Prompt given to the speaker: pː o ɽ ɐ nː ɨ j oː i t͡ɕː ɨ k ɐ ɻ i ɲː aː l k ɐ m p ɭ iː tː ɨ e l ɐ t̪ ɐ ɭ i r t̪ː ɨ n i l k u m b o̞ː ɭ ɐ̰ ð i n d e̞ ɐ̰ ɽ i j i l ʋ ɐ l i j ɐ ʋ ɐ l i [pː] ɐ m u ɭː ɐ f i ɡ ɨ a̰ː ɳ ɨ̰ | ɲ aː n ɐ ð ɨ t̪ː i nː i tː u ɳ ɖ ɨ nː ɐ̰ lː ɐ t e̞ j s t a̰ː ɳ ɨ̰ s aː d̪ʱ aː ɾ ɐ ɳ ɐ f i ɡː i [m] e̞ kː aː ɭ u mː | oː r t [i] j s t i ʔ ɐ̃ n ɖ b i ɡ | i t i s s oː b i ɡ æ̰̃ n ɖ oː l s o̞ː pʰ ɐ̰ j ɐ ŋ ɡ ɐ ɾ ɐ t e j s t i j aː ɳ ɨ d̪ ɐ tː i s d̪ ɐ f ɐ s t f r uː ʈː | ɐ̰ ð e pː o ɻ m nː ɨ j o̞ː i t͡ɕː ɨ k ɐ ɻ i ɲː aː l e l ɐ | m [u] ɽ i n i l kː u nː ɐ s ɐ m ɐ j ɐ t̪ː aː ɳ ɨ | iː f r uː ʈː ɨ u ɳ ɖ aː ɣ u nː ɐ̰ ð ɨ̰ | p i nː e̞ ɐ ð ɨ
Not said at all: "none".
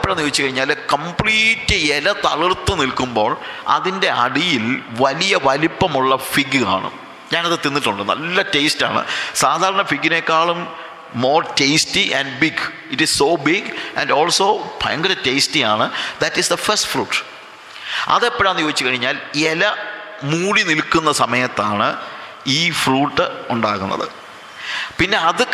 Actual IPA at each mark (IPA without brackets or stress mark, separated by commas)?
pː, n, e, uː